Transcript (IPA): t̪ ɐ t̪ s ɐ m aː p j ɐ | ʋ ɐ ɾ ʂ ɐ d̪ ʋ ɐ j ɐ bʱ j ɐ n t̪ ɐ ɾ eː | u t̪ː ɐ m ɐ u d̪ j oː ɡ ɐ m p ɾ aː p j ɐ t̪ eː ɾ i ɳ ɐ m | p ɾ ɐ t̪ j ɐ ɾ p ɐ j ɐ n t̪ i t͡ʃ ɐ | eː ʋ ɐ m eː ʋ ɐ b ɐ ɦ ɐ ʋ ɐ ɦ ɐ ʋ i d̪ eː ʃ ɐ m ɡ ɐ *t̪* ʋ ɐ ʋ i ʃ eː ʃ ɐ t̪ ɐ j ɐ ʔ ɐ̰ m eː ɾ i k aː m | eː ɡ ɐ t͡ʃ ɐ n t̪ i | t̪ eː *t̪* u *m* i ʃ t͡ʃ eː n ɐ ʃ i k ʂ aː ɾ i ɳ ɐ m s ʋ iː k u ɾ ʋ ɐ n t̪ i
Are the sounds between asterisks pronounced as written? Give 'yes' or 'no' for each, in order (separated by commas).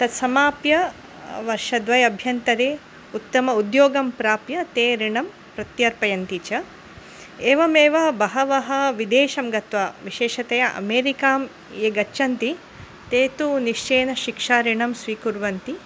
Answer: yes, yes, no